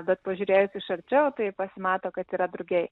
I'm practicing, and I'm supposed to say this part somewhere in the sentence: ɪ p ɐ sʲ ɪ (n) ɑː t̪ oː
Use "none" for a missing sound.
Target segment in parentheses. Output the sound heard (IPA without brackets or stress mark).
m